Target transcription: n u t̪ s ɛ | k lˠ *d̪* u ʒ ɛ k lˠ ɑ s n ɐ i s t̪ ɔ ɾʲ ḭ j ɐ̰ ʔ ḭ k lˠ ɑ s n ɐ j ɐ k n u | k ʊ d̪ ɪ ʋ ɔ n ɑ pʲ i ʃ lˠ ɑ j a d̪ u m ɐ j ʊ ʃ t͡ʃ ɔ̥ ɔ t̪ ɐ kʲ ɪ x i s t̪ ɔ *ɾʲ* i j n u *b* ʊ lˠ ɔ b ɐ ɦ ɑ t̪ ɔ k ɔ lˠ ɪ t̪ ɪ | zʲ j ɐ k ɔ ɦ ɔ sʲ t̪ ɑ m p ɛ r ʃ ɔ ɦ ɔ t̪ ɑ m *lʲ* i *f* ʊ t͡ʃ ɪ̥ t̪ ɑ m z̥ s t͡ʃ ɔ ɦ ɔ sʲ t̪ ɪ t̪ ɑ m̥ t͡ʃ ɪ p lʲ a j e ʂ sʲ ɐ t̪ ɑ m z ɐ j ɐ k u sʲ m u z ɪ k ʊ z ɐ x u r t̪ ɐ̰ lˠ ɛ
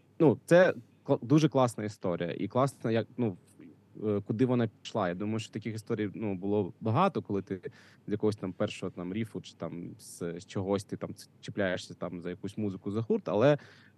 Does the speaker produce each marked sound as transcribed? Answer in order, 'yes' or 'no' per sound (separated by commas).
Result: yes, yes, yes, no, yes